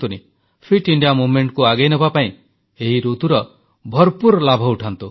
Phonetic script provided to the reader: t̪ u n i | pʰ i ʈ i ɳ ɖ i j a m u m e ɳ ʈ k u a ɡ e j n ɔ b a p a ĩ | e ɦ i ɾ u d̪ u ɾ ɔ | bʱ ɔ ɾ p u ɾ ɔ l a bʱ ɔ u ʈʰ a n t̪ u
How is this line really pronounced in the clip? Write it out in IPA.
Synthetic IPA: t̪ u n i | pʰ i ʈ i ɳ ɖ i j a m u m e ɳ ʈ k u a ɡ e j n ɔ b a p a ĩ | e ɦ i ɾ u t̪ u ɾ ɔ | bʱ ɔ ɾ p u ɾ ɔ l a bʱ ɔ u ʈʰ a n t̪ u